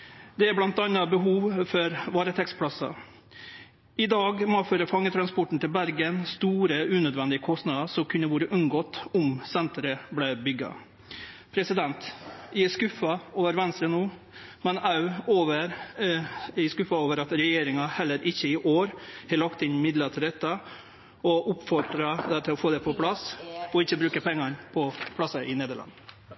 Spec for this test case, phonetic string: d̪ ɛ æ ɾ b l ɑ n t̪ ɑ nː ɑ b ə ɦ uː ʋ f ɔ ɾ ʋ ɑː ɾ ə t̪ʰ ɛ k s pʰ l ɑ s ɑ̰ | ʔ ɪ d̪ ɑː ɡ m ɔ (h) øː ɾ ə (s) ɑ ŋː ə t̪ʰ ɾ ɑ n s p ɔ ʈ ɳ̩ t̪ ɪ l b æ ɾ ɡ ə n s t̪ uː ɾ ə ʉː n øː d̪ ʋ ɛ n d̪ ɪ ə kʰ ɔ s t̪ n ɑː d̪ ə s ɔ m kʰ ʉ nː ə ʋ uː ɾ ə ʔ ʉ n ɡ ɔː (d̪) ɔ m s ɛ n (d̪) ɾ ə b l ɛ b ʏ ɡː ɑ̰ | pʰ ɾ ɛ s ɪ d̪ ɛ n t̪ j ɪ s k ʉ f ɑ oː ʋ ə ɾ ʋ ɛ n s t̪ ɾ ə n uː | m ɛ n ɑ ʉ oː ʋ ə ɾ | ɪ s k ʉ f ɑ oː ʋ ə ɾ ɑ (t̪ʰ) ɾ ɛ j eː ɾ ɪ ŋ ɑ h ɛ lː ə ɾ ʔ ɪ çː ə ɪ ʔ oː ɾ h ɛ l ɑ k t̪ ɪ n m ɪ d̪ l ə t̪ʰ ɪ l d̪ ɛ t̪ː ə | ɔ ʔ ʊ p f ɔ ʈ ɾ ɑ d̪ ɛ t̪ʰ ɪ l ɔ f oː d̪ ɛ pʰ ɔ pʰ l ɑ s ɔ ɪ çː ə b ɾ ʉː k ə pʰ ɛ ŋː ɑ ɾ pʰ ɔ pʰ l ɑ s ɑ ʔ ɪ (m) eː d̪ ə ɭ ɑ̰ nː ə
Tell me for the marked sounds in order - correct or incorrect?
incorrect: f, incorrect: f, incorrect: t̪, incorrect: t̪, incorrect: t̪, incorrect: n

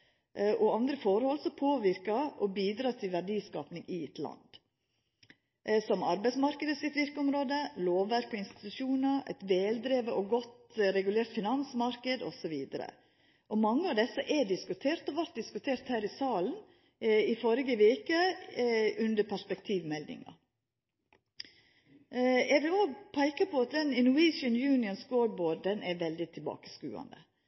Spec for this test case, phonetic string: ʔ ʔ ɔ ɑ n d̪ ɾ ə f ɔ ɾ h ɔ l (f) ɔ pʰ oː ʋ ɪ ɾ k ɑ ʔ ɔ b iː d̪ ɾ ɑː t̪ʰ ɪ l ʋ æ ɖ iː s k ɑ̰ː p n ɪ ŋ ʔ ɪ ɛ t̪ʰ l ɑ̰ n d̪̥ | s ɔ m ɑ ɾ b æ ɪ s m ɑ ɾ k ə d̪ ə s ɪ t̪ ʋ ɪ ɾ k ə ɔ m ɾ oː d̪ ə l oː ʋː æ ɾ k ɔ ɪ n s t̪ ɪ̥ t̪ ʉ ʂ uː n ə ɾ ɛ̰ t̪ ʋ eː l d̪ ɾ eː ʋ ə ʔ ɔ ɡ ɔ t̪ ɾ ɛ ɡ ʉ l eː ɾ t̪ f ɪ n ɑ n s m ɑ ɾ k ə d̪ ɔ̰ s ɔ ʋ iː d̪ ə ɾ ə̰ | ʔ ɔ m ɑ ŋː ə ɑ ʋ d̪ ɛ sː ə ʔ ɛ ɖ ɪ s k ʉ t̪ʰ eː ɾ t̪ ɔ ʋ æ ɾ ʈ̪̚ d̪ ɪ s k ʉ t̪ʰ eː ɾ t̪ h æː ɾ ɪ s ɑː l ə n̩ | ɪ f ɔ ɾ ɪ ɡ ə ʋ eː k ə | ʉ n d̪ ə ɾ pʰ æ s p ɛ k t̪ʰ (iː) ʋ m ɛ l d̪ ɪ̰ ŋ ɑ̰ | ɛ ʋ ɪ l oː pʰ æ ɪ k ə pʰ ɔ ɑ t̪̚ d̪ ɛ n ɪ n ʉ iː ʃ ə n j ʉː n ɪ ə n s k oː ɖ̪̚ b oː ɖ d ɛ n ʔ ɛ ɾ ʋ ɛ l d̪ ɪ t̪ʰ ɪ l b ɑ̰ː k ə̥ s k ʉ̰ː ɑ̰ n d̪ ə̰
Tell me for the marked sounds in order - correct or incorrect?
incorrect: s, correct

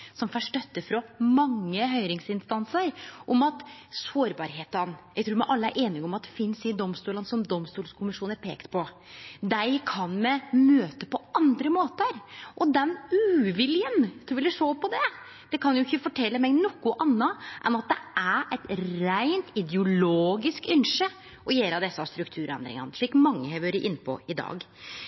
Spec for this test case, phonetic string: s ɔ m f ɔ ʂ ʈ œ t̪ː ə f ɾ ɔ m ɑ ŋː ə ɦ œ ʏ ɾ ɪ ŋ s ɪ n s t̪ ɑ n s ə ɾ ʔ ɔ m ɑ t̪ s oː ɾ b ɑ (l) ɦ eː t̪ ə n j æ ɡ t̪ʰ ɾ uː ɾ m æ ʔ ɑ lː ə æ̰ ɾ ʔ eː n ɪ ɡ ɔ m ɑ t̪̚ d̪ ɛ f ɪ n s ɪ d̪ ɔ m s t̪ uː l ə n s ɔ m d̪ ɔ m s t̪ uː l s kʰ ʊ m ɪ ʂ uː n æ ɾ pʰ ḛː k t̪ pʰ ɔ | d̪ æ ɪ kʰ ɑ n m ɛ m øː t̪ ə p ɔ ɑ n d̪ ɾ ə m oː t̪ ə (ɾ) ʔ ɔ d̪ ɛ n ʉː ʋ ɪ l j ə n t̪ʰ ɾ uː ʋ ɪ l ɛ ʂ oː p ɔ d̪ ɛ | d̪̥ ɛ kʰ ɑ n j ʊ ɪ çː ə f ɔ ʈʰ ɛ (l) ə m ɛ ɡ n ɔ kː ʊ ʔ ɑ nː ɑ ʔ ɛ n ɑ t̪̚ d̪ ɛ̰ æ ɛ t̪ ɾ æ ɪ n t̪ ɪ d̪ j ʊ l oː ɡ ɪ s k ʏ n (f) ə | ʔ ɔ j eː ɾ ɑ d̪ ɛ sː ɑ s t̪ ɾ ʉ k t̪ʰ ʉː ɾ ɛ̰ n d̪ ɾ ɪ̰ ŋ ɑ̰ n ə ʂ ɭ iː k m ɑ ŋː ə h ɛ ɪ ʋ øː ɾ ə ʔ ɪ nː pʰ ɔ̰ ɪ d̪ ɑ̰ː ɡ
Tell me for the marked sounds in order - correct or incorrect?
incorrect: ɾ, correct, incorrect: lː, incorrect: ʂ

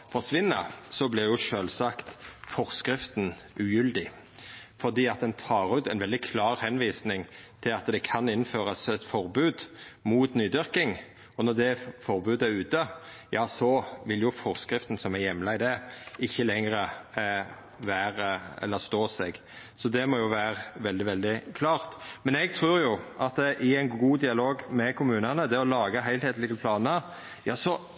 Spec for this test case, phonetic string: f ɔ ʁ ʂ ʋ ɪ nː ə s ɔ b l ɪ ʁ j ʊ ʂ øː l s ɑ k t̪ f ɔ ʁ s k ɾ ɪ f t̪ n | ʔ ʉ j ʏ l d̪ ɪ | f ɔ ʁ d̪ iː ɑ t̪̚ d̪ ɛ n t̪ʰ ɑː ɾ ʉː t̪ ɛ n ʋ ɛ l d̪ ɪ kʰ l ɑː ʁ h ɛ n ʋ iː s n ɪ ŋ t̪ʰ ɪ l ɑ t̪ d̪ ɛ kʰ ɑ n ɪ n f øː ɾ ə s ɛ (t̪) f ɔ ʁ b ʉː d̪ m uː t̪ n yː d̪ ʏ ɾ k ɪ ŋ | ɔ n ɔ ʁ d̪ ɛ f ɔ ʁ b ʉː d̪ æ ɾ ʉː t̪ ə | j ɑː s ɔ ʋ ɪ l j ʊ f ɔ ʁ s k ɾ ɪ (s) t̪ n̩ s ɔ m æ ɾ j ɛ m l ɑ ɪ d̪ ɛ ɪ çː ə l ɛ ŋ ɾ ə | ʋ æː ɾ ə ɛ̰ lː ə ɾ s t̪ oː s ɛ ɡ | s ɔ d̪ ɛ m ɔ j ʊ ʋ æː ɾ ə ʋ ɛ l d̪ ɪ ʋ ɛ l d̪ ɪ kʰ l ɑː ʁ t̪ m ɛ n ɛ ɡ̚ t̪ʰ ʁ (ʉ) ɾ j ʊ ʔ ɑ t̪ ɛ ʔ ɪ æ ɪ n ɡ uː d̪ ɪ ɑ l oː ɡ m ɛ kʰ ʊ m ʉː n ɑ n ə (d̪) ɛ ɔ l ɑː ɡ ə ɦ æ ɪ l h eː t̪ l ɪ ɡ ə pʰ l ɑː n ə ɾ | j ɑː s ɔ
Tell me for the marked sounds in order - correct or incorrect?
correct, incorrect: f, incorrect: ʉː, correct

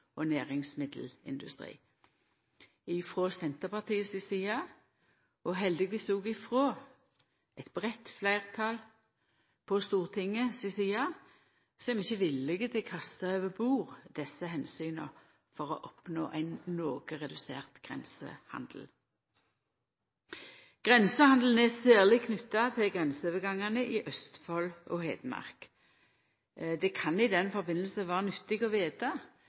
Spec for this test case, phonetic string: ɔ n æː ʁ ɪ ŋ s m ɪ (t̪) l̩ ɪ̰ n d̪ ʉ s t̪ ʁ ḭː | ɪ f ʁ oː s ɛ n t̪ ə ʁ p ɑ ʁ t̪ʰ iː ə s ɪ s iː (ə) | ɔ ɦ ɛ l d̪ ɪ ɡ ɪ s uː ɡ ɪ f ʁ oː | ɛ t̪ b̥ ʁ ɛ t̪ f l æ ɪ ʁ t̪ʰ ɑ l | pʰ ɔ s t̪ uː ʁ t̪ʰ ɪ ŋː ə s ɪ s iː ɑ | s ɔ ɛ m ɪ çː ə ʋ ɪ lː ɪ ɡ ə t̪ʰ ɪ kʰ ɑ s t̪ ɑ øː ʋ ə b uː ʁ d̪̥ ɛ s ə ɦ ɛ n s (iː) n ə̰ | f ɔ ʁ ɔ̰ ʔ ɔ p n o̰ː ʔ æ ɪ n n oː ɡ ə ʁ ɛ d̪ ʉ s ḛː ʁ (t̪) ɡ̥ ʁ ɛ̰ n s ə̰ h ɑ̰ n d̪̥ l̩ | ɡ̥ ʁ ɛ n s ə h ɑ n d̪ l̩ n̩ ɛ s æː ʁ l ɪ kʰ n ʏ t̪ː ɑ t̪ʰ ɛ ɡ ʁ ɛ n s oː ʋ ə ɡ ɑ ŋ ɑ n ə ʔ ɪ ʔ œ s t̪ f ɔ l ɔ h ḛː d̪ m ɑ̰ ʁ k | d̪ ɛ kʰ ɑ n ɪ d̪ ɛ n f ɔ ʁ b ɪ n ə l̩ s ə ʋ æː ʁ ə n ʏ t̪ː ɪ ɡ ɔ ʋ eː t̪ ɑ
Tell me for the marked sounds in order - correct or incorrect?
incorrect: d̪, incorrect: ɑ, incorrect: yː, correct

